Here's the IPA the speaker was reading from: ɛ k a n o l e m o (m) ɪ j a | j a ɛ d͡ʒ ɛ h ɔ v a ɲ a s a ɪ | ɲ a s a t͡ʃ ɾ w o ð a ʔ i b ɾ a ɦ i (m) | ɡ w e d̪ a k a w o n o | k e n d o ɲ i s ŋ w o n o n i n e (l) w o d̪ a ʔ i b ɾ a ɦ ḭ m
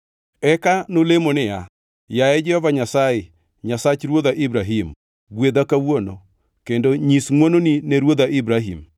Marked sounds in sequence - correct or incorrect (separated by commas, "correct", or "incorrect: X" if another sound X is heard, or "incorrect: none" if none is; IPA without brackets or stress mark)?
incorrect: n, correct, incorrect: ɾ